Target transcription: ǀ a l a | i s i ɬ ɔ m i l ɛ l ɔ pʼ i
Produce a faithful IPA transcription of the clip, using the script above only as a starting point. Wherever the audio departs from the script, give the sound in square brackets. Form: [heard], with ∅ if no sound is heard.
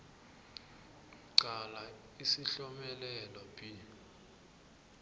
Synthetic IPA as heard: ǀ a l a | i s i ɬ ɔ m [ɛ] l ɛ l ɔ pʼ i